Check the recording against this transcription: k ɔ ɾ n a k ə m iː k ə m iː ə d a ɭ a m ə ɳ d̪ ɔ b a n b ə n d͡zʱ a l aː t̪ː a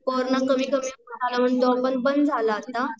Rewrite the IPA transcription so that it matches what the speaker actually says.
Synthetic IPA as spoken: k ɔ ɾ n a k ə m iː k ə m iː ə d a l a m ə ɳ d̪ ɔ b ə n b ə n d͡zʱ a l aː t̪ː a